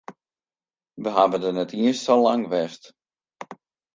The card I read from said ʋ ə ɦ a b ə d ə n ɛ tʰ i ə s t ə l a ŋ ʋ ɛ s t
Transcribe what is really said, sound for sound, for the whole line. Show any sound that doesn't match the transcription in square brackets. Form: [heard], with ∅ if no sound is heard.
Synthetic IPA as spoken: ʋ ə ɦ a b ə d ə n ɛ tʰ i ə s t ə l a ŋ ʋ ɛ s t